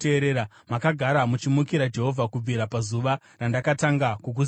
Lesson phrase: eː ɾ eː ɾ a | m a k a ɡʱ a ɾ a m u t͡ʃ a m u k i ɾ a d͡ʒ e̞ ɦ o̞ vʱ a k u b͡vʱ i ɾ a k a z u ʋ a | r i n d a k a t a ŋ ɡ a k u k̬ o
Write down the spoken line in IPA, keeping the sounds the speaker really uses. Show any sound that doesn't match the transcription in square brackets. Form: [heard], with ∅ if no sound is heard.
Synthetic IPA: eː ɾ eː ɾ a | m a k a ɡʱ a ɾ a m u t͡ʃ [i] m u k i ɾ a d͡ʒ e̞ ɦ o̞ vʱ a k u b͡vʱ i ɾ a [p] a z u ʋ a | r [a] n d a k a t a ŋ ɡ a k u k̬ [u]